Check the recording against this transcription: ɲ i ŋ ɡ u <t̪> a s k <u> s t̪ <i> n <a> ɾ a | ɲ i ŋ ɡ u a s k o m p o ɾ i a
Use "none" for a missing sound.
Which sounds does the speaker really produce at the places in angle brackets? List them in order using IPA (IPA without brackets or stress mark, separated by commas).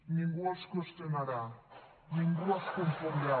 none, o, e, a